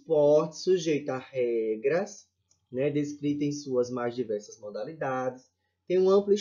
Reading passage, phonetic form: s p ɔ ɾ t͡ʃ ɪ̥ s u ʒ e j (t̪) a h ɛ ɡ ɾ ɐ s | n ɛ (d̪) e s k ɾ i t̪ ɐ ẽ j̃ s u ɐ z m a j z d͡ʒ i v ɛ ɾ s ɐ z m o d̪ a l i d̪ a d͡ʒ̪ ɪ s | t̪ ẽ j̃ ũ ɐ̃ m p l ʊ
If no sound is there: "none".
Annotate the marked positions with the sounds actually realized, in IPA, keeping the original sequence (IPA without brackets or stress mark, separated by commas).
t̪, d̪